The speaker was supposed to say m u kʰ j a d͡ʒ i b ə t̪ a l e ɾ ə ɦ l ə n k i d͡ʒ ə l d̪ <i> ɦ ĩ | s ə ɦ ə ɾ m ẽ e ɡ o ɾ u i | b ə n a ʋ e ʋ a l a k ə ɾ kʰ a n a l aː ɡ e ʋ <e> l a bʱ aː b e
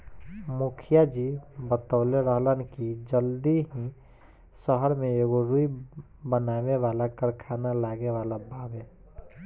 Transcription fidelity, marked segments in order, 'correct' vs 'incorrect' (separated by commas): correct, incorrect